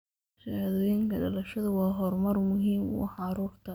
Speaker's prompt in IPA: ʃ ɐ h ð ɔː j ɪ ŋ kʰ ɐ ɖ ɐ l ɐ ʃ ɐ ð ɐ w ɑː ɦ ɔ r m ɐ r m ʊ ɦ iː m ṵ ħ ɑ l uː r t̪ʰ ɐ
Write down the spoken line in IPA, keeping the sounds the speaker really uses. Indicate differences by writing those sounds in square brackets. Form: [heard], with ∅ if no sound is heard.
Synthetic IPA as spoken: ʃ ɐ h ð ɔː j ɪ ŋ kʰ ɐ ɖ ɐ l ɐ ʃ ɐ ð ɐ w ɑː ɦ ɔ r m ɐ r m ʊ ɦ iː m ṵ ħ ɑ [ɾ] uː r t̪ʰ ɐ